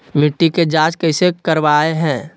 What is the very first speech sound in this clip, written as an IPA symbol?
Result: m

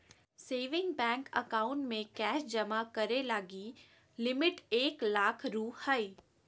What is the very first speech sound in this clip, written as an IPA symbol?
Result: s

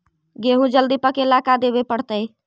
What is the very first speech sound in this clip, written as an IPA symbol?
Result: ɡ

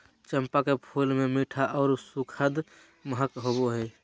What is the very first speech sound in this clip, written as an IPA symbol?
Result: t͡ʃ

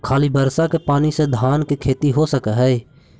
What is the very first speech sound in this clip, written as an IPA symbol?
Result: kʰ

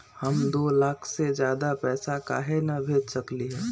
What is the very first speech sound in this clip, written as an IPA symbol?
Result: h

